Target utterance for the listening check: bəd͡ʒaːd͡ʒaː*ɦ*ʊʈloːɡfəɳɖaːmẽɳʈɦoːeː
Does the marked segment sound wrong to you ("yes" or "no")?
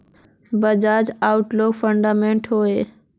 yes